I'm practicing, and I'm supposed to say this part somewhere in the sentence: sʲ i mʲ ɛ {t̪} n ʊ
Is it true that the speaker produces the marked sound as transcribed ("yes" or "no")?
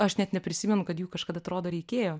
no